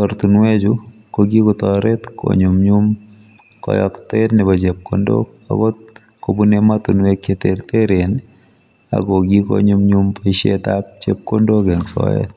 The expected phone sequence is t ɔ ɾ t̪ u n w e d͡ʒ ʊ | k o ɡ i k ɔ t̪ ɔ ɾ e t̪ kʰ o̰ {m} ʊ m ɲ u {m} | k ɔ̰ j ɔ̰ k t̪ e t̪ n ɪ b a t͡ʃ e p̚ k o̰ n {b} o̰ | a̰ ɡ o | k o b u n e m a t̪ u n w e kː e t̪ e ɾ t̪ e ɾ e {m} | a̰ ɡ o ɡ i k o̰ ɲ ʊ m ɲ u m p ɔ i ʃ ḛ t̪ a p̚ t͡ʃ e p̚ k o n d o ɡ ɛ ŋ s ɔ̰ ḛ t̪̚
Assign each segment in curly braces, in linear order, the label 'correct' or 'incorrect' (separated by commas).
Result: incorrect, correct, incorrect, incorrect